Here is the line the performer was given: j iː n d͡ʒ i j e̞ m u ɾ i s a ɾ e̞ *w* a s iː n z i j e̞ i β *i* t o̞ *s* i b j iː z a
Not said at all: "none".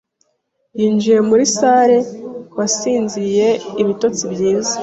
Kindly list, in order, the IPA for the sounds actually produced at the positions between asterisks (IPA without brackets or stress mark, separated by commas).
w, i, t͡s